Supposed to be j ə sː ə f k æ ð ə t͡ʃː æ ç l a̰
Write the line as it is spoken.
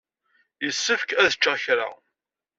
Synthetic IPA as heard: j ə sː ə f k æ ð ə t͡ʃː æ ç ɾ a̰